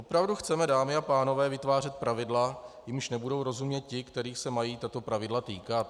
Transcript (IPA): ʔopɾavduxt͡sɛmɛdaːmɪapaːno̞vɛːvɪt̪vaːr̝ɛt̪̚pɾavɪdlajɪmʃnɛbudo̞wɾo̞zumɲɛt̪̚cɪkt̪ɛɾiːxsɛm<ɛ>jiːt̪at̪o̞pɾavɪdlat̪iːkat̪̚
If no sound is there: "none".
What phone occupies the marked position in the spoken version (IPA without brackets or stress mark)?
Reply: a